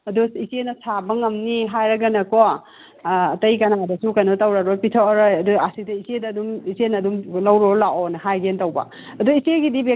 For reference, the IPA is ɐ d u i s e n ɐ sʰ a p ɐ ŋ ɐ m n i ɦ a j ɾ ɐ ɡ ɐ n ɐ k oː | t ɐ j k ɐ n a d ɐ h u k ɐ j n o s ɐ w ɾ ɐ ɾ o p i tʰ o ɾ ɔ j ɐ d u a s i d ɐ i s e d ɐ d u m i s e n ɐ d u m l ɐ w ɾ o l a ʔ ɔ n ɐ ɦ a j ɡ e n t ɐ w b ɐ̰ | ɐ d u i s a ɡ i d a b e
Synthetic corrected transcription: ɐ d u i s e n ɐ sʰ a b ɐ ŋ ɐ m n i ɦ a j ɾ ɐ ɡ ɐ n ɐ k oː | t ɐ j k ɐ n a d ɐ s u k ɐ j n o t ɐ w ɾ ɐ ɾ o p i tʰ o ɾ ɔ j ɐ d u a s i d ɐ i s e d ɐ d u m i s e n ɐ d u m l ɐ w ɾ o l a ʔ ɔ n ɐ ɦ a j ɡ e n t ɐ w b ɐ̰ | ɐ d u i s e ɡ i d i b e